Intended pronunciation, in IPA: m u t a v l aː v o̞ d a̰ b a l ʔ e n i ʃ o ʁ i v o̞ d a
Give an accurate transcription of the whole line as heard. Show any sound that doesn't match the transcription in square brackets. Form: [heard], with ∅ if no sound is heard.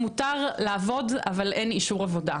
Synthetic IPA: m u t a [ʁ] l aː v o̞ d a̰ [v] a l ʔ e n i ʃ [u] ʁ [a] v o̞ d a